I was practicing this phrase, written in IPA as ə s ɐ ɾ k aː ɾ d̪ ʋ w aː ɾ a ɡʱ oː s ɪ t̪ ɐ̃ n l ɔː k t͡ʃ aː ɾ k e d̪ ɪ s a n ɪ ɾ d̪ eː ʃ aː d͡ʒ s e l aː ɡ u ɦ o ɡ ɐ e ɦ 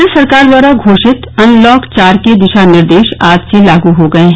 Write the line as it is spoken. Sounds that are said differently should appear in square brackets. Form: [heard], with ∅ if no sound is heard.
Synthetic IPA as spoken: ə s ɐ ɾ k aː ɾ d̪ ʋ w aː ɾ a ɡʱ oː [ʃ] ɪ t̪ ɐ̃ n l ɔː k t͡ʃ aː ɾ k e d̪ ɪ [ʃ] a n ɪ ɾ d̪ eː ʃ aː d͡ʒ s e l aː ɡ u ɦ o ɡ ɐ e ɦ